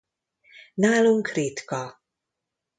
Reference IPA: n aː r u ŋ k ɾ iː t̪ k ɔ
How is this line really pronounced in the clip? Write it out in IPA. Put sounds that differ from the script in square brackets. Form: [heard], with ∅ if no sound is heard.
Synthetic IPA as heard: n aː [l] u ŋ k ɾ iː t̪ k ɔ

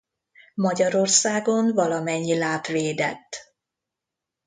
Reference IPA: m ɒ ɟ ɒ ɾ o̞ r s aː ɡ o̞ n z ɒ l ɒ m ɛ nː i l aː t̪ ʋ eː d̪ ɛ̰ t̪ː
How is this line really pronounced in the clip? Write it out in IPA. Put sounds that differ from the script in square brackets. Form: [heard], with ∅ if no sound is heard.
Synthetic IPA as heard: m ɒ ɟ ɒ ɾ o̞ r s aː ɡ o̞ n [v] ɒ l ɒ m ɛ [ɲː] i l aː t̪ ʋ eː d̪ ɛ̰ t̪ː

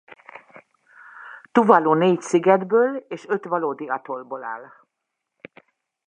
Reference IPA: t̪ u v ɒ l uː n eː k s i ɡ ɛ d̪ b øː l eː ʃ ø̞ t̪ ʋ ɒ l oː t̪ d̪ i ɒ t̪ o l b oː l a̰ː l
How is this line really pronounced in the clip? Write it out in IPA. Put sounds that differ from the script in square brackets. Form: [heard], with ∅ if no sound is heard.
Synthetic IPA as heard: t̪ u v ɒ l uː n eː [c] s i ɡ ɛ d̪ b øː l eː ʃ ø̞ t̪ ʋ ɒ l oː [∅] d̪ i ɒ t̪ o l b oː l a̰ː l

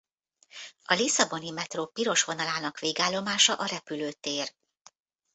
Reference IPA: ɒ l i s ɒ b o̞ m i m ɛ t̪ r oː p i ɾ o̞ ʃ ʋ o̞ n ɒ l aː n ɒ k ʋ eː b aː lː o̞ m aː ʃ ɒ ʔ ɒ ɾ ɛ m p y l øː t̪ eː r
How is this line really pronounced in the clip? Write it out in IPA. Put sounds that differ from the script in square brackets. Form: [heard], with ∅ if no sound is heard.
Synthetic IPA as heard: ɒ l i s ɒ b o̞ [n] i m ɛ t̪ r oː p i ɾ o̞ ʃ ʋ o̞ n ɒ l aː n ɒ k ʋ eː [ɡ] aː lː o̞ m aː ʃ ɒ ʔ ɒ ɾ ɛ [∅] p y l øː t̪ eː r

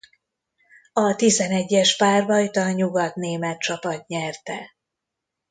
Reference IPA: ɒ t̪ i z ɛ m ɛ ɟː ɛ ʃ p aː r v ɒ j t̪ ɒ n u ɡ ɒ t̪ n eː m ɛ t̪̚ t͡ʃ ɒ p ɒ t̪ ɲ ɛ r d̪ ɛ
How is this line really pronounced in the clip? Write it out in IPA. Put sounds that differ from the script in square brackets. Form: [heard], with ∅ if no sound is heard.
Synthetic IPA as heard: ɒ t̪ i z ɛ [n] ɛ ɟː ɛ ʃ p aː r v ɒ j t̪ ɒ [ɲ] u ɡ ɒ t̪ n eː m ɛ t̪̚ t͡ʃ ɒ p ɒ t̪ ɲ ɛ r [t̪] ɛ

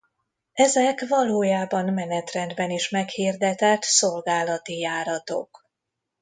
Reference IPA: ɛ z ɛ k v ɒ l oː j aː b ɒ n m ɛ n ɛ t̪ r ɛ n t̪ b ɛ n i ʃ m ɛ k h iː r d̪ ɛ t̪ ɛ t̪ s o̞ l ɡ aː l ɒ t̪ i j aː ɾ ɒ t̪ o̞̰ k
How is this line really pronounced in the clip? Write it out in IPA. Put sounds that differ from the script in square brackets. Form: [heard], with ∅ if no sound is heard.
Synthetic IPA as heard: ɛ z ɛ k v ɒ l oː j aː b ɒ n m ɛ n ɛ t̪ r ɛ n [d̪] b ɛ n i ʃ m ɛ k h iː r d̪ ɛ t̪ ɛ t̪ s o̞ l ɡ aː l ɒ t̪ i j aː ɾ ɒ t̪ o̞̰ k

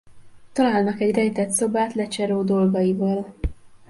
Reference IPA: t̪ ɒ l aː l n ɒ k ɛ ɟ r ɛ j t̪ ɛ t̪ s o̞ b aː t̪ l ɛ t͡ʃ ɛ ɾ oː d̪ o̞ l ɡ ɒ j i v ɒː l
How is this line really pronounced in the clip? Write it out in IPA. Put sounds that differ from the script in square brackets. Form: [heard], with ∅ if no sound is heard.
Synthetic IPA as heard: t̪ ɒ l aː l n ɒ k ɛ ɟ r ɛ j t̪ ɛ t̪ s o̞ b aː t̪ l ɛ t͡ʃ ɛ ɾ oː d̪ o̞ l ɡ ɒ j i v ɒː l

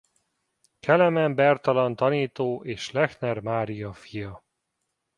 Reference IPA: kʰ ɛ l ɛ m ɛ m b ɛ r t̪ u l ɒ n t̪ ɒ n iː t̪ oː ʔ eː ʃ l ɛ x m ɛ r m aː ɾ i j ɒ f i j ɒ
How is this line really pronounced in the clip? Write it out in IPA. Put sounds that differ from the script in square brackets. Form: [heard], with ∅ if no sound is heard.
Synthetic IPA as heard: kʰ ɛ l ɛ m ɛ m b ɛ r t̪ [ɒ] l ɒ n t̪ ɒ n iː t̪ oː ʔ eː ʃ l ɛ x [n] ɛ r m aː ɾ i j ɒ f i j ɒ

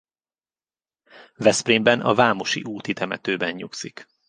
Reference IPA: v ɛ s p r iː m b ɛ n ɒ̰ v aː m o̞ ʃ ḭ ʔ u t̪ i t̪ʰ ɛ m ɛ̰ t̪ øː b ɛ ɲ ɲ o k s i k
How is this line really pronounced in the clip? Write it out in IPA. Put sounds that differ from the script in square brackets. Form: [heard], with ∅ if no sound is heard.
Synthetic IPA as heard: v ɛ s p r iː m b ɛ n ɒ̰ v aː m o̞ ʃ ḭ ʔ [uː] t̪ i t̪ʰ ɛ m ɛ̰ t̪ øː b ɛ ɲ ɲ [u] k s i k

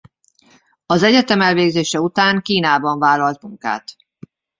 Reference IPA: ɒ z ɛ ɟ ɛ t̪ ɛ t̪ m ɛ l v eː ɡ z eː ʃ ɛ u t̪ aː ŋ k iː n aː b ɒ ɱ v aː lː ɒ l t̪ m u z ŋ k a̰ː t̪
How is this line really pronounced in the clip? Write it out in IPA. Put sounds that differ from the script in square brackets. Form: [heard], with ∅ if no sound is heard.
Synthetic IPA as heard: ɒ z ɛ ɟ ɛ t̪ ɛ [∅] m ɛ l v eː ɡ z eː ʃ ɛ u t̪ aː ŋ k iː n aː b ɒ ɱ v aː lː ɒ l t̪ m u [∅] ŋ k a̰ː t̪

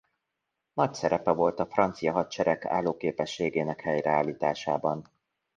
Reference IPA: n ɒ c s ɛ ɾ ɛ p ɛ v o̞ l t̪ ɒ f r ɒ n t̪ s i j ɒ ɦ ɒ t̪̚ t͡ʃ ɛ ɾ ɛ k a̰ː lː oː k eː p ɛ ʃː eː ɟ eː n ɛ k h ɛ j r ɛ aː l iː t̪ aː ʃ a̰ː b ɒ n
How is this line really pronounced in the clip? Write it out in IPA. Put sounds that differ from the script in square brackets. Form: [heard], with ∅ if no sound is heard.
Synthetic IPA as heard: n ɒ c s ɛ ɾ ɛ p ɛ v o̞ l t̪ ɒ f r ɒ n t̪ s i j ɒ ɦ ɒ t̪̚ t͡ʃ ɛ ɾ ɛ k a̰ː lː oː k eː p ɛ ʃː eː [ɡ] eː n ɛ k h ɛ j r ɛ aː l iː t̪ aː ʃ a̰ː b ɒ n

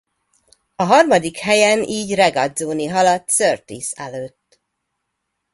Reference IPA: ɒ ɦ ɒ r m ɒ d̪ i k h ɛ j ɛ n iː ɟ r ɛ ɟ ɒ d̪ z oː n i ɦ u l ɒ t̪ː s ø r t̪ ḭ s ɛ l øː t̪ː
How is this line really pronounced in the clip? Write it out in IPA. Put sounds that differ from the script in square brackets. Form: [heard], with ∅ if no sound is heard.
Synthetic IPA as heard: ɒ ɦ ɒ r m ɒ d̪ i k h ɛ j ɛ n iː ɟ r ɛ [ɡ] ɒ d̪ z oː n i ɦ [ɒ] l ɒ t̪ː s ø r t̪ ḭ s ɛ l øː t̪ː

